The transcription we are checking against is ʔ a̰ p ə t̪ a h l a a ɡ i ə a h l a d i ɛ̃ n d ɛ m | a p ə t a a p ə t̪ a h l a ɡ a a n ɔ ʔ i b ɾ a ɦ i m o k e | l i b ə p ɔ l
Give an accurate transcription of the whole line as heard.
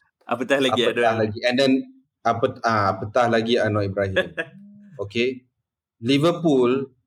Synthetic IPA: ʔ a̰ p ə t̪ a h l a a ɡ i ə a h l a ɡ i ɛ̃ n d ɛ n | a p ə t a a p ə t̪ a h l a ɡ i a n ɔ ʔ i b ɾ a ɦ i m o k e | l i v ə p u l